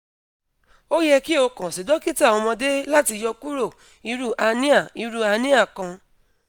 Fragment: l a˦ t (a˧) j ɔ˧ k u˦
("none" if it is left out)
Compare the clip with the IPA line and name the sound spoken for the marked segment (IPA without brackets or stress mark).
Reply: i˧